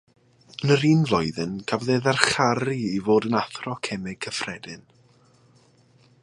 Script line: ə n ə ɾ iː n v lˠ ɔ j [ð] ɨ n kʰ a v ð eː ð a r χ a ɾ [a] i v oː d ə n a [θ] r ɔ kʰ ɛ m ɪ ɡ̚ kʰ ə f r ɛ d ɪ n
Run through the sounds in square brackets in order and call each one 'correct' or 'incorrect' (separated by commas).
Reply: correct, incorrect, correct